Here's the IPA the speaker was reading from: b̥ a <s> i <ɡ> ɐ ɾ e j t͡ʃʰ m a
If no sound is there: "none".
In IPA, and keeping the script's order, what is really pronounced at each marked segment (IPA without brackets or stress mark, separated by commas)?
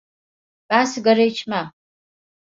s, ɡ